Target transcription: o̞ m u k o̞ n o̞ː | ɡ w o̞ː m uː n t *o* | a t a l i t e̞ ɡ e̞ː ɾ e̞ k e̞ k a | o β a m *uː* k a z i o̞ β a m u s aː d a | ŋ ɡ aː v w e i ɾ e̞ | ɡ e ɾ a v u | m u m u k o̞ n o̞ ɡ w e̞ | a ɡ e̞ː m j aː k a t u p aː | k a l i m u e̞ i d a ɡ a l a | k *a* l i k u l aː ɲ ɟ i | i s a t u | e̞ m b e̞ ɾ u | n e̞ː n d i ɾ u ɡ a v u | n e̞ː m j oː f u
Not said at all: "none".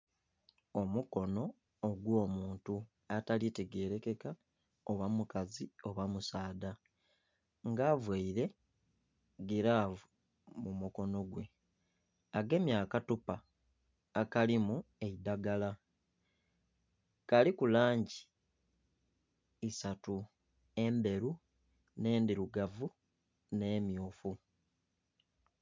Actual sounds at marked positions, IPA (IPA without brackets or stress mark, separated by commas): u, u, a